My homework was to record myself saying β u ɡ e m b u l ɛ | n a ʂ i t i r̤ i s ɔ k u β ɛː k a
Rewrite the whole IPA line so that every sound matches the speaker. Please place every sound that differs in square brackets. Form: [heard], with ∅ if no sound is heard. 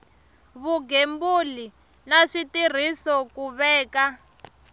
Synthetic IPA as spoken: β u ɡ e m b u l [i] | n a ʂ i t i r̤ i s ɔ k u β ɛː k a